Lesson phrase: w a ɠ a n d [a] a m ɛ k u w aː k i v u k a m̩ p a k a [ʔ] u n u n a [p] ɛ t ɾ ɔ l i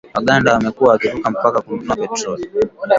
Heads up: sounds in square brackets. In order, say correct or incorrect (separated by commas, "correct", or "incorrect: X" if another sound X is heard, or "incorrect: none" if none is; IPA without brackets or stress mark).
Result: correct, incorrect: k, correct